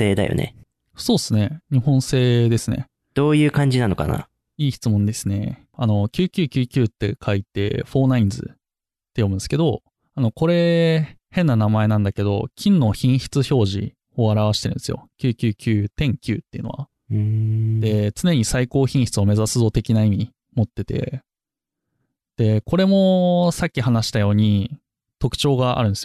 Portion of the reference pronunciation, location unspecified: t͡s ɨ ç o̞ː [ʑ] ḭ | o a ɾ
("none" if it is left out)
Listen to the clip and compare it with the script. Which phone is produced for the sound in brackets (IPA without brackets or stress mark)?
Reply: ʑ